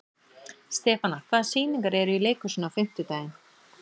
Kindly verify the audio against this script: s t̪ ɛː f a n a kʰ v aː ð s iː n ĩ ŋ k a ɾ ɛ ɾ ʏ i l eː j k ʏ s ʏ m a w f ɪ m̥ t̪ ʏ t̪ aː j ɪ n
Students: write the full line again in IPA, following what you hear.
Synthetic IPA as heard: s t̪ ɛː f a n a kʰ v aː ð s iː n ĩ ŋ k a ɾ ɛ ɾ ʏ i l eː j k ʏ s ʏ n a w f ɪ m̥ t̪ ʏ t̪ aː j ɪ n

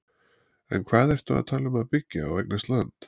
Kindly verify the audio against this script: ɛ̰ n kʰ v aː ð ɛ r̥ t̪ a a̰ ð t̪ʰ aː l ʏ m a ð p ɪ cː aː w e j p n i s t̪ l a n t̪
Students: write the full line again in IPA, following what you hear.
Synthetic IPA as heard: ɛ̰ n kʰ v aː ð ɛ r̥ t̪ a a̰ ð t̪ʰ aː l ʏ m a ð p ɪ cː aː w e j k n a s t̪ l a n t̪

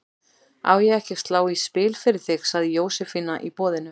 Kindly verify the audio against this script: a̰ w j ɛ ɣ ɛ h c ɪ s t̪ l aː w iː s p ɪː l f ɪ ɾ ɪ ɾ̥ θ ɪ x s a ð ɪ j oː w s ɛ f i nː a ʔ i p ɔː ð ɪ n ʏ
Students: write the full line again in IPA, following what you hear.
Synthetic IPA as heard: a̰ w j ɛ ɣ ɛ h c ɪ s t̪ l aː w i s p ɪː l f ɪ ɾ ɪ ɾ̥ θ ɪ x s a ð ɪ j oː w s ɛ f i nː a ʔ i p ɔː ð ɪ n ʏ

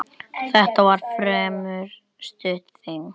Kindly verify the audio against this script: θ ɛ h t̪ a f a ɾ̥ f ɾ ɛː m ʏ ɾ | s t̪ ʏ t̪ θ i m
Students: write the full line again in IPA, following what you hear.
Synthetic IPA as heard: θ ɛ h t̪ a v a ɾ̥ f ɾ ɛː m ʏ ɾ | s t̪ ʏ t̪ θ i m

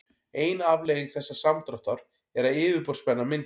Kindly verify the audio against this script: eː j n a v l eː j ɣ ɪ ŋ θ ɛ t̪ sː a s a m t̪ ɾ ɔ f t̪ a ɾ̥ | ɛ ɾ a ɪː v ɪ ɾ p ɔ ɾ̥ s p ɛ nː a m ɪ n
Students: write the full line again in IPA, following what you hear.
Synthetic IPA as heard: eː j n a v l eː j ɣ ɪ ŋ θ ɛ sː a s a m t̪ ɾ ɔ h t̪ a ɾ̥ | ɛ ɾ a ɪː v ɪ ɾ p ɔ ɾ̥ s p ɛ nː a m ɪ n

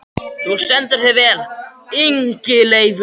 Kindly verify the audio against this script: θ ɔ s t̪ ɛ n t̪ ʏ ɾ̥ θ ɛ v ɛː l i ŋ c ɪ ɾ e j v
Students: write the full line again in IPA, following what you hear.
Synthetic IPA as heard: θ u s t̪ ɛ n t̪ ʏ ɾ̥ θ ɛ v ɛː l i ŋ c ɪ l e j v

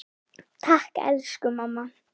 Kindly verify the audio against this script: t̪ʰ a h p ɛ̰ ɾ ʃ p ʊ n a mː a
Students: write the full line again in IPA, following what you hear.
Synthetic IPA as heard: t̪ʰ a h k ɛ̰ l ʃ k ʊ m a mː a

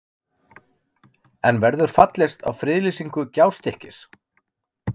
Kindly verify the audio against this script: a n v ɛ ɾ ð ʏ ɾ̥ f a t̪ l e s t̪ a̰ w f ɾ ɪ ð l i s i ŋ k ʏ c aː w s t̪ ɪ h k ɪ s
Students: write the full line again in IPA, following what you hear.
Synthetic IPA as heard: ɛ n v ɛ ɾ ð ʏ ɾ̥ f a t̪ l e s t̪ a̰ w f ɾ ɪ ð l i s i ŋ k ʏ c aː w s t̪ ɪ h c ɪ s

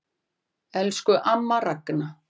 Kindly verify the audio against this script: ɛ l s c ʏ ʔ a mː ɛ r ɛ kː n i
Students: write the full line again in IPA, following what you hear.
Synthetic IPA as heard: ɛ l s k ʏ ʔ a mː a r a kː n a

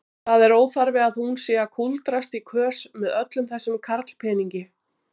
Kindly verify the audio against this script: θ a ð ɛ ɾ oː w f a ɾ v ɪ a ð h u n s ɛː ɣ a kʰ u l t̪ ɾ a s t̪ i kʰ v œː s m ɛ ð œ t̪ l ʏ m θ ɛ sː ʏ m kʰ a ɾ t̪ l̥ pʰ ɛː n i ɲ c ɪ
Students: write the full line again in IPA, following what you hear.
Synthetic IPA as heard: θ a ð ɛ ɾ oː w f a ɾ v ɪ a ð h u n s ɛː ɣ a kʰ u l t̪ ɾ a s t̪ i kʰ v œː s m ɛ ð œ t̪ l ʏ m θ ɛ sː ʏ m kʰ a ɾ t̪ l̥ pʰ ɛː n i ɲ c ɪ

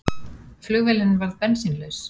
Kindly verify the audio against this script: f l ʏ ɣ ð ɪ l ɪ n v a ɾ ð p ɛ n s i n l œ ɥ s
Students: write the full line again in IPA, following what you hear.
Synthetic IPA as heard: f l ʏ ɣ v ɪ l ɪ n v a ɾ ð p ɛ n s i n l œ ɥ s

